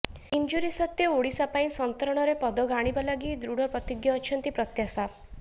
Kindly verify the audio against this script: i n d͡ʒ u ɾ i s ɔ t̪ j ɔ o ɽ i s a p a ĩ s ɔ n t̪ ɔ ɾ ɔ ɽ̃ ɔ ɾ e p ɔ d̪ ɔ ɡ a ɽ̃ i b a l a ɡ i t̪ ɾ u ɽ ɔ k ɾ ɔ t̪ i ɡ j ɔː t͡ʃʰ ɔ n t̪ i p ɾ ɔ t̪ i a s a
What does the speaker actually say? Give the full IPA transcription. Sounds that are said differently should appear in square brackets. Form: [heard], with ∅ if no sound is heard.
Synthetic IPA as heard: i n d͡ʒ u ɾ i s ɔ t̪ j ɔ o ɽ i s a p a ĩ s ɔ n t̪ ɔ ɾ ɔ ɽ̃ ɔ ɾ e p ɔ d̪ ɔ ɡ a ɽ̃ i b a l a ɡ i [d̪] ɾ u ɽ ɔ [p] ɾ ɔ t̪ i ɡ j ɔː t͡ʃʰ ɔ n t̪ i p ɾ ɔ t̪ [j] a s a